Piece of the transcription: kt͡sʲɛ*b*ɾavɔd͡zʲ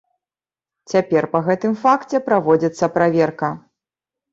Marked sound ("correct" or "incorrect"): incorrect